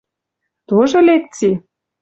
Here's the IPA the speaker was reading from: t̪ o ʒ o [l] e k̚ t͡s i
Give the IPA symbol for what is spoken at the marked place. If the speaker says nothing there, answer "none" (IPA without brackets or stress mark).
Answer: l